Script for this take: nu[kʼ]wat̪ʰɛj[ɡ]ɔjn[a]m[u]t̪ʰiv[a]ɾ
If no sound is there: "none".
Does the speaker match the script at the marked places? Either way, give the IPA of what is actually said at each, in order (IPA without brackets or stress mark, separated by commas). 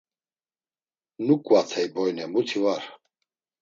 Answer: kʼ, b, ɛ, u, a